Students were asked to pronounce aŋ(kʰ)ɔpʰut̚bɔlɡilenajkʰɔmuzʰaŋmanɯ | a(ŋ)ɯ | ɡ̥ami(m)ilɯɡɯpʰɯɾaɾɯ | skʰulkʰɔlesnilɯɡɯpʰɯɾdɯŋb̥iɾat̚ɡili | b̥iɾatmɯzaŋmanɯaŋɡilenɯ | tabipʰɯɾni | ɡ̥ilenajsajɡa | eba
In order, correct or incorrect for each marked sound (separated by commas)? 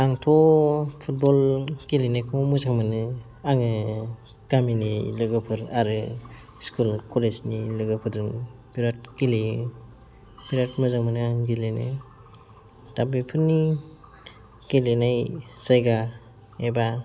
incorrect, correct, incorrect